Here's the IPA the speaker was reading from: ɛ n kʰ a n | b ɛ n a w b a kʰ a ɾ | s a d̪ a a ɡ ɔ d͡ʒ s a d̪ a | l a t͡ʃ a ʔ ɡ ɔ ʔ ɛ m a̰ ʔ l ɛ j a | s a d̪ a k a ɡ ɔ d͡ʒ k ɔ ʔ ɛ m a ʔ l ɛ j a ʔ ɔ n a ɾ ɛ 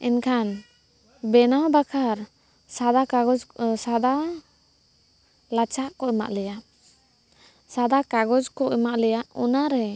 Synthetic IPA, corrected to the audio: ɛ n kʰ a n | b ɛ n a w b a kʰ a ɾ | s a d̪ a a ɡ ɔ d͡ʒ s a d̪ a | l a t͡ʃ a ʔ k ɔ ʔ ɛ m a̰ ʔ l ɛ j a | s a d̪ a k a ɡ ɔ d͡ʒ k ɔ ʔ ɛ m a ʔ l ɛ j a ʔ ɔ n a ɾ ɛ

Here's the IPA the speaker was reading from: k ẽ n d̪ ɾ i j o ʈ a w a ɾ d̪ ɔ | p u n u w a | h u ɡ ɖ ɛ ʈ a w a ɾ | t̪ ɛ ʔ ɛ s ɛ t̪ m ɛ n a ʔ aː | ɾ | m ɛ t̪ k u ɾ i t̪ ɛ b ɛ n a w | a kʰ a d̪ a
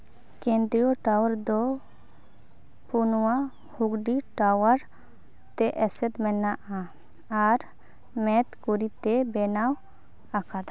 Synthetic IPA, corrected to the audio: k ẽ n d̪ ɾ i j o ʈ a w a ɾ d̪ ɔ | p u n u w a | h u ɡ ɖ i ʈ a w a ɾ | t̪ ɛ ʔ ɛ s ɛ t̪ m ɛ n a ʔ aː | ɾ | m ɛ t̪ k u ɾ i t̪ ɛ b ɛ n a w | a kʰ a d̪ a

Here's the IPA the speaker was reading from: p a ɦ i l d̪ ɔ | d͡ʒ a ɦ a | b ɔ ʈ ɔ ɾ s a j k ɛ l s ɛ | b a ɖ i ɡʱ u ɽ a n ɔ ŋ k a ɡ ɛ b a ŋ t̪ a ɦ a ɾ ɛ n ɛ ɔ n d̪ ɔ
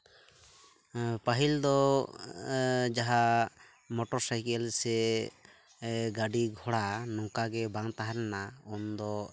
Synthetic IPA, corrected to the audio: p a ɦ i l d̪ ɔ | d͡ʒ a ɦ a | m ɔ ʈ ɔ ɾ s a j k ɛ l s ɛ | ɡ a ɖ i ɡʱ ɔ ɽ a n ɔ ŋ k a ɡ ɛ b a ŋ t̪ a ɦ a ɾ ɛ n a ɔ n d̪ ɔ

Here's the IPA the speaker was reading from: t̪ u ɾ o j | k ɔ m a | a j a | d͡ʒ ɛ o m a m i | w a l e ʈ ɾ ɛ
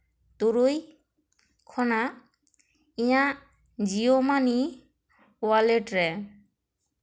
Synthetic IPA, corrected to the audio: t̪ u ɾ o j | kʰ ɔ n a | i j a | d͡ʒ i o m a n i | w a l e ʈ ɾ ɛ

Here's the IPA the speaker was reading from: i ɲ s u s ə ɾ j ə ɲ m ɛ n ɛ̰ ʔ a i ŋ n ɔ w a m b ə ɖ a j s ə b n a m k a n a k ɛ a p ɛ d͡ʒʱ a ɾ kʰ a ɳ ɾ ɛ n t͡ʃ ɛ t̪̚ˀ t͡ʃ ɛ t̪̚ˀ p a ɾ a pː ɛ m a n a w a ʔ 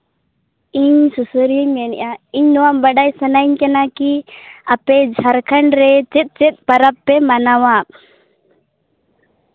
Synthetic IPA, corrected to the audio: i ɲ s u s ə ɾ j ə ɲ m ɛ n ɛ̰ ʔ a i ɲ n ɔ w a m b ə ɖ a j s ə n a ɲ k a n a k i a p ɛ d͡ʒʱ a ɾ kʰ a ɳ ɾ ɛ t͡ʃ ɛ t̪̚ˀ t͡ʃ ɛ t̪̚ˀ p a ɾ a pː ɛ m a n a w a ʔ

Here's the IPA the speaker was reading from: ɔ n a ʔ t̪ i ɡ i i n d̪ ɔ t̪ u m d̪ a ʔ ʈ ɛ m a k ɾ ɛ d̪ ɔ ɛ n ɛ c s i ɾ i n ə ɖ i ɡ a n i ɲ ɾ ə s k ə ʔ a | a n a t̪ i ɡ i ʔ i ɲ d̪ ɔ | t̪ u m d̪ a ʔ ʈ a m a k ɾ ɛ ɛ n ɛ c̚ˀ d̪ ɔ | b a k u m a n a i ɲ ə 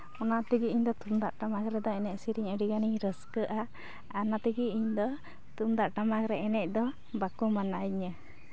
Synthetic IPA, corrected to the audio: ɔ n a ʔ t̪ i ɡ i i ɲ d̪ ɔ t̪ u m d̪ a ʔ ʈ a m a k ɾ ɛ d̪ ɔ ɛ n ɛ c s i ɾ i ɲ ə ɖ i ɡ a n i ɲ ɾ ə s k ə ʔ a | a n a t̪ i ɡ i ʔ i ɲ d̪ ɔ | t̪ u m d̪ a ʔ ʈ a m a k ɾ ɛ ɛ n ɛ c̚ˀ d̪ ɔ | b a k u m a n a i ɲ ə

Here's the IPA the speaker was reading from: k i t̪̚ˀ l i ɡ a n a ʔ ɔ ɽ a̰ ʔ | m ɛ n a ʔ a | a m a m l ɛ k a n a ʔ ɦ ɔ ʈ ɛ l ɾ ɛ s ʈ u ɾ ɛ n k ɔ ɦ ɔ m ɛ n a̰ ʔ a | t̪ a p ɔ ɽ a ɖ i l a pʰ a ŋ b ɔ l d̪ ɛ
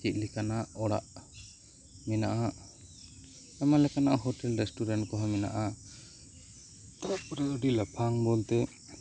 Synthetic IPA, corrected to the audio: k i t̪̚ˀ l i k a n a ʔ ɔ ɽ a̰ ʔ | m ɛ n a ʔ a | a m a l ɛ k a n a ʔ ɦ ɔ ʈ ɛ l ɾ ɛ s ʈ u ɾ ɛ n k ɔ ɦ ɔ m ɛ n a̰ ʔ a | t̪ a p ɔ ɾ a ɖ i l a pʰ a ŋ b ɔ l t̪ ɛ

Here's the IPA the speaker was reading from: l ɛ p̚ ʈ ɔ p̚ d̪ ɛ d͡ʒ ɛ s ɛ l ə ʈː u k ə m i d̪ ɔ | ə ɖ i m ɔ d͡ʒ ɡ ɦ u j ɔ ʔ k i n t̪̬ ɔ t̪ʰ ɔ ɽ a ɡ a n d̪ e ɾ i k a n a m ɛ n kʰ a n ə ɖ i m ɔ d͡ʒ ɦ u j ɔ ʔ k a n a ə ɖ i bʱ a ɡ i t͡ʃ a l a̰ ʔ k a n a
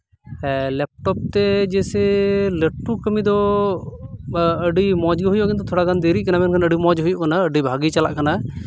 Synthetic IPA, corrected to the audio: l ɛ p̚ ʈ ɔ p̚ t̪ ɛ d͡ʒ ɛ s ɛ l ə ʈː u k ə m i d̪ ɔ | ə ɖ i m ɔ d͡ʒ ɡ ɦ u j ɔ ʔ k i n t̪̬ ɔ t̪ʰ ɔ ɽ a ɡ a n d̪ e ɾ i k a n a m ɛ n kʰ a n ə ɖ i m ɔ d͡ʒ ɦ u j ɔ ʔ k a n a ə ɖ i bʱ a ɡ i t͡ʃ a l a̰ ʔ k a n a

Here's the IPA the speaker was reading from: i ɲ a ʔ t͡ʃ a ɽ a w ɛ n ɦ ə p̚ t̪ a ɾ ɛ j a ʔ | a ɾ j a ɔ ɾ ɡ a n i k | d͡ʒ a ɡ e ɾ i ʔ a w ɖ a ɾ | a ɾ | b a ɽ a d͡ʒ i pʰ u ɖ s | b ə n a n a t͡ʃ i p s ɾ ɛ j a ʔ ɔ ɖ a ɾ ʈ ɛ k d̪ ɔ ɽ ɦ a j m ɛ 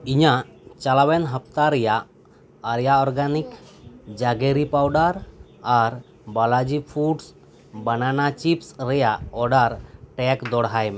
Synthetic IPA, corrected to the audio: i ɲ a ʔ t͡ʃ a l a w ɛ n ɦ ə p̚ t̪ a ɾ ɛ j a ʔ | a ɾ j a ɔ ɾ ɡ a n i k | d͡ʒ a ɡ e ɾ i p a w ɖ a ɾ | a ɾ | b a l a d͡ʒ i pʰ u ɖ s | b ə n a n a t͡ʃ i p s ɾ ɛ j a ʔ ɔ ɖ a ɾ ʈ ɛ k d̪ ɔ ɽ ɦ a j m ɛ

